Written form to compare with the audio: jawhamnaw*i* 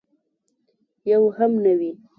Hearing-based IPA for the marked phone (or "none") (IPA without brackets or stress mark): i